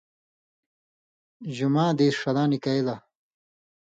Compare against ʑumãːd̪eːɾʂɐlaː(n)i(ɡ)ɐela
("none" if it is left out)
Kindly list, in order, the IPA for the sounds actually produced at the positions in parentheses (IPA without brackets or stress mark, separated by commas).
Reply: n, k